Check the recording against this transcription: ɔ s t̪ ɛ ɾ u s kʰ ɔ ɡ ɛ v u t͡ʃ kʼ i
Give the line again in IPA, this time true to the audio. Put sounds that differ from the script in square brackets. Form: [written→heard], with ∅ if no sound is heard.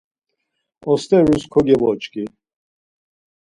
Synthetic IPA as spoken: ɔ s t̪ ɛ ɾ u s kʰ ɔ ɡ ɛ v [u→ɔ] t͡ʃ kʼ i

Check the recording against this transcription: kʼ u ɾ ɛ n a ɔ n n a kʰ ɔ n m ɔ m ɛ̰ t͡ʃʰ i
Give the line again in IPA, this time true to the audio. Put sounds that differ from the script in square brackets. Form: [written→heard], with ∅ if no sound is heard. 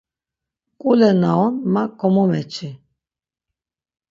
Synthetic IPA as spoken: kʼ u [ɾ→l] ɛ n a ɔ n [n→m] a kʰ ɔ [n→∅] m ɔ m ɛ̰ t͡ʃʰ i

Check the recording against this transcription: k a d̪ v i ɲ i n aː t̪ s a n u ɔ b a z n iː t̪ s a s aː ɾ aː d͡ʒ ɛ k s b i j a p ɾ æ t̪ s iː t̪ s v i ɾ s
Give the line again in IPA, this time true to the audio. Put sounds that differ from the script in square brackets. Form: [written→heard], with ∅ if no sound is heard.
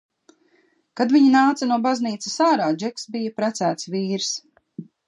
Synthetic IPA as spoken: k a d̪ v i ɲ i n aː t̪ s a n u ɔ b a z n iː t̪ s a s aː ɾ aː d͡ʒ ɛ k s b i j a p ɾ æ t̪ s [iː→æː] t̪ s v [i→iː] ɾ s

